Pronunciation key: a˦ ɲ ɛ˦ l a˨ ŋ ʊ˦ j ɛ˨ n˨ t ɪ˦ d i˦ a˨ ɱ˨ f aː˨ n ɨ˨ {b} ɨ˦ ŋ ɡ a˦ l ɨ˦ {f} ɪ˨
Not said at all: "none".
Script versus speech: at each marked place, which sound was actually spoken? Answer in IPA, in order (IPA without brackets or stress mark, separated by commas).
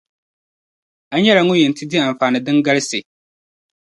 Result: d, s